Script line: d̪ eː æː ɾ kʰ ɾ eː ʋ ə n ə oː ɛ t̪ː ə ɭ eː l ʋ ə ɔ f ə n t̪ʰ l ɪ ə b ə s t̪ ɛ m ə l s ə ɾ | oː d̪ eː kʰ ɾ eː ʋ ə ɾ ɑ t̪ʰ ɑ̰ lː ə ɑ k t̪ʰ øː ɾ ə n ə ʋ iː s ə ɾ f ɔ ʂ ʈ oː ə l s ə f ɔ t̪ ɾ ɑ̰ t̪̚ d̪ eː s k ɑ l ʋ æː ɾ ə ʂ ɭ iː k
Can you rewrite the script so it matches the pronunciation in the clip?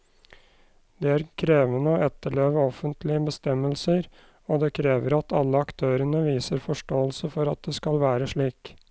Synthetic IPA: d̪ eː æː ɾ kʰ ɾ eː ʋ ə n ə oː ɛ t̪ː ə ɭ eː ʋ ə ɔ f ə n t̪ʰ l ɪ ə b ə s t̪ ɛ m ə l s ə ɾ | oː d̪ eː kʰ ɾ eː ʋ ə ɾ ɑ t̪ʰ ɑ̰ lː ə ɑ k t̪ʰ øː ɾ ə n ə ʋ iː s ə ɾ f ɔ ʂ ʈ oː ə l s ə f ɔ ɾ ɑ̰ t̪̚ d̪ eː s k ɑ l ʋ æː ɾ ə ʂ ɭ iː k